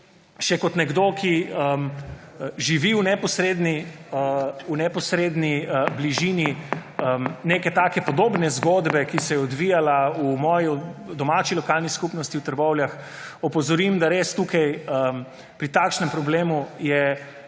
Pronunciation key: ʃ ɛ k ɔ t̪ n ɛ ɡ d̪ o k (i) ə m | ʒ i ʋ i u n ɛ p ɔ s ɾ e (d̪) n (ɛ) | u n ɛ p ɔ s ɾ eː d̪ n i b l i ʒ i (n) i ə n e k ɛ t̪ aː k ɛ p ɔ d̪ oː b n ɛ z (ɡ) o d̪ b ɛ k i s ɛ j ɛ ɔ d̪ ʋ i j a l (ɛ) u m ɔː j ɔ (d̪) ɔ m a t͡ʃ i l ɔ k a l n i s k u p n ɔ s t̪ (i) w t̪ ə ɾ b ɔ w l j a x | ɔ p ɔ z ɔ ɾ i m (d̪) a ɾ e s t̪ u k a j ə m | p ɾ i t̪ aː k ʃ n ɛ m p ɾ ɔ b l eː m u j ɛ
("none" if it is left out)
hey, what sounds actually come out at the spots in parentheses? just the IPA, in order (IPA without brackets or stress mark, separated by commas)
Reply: i, d̪, i, n, ɡ, a, d̪, i, d̪